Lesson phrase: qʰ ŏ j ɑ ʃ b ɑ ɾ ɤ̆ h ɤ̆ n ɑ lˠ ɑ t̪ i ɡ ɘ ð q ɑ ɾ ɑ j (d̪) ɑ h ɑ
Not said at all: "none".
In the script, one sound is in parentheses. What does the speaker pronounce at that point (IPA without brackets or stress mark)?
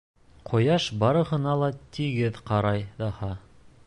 d̪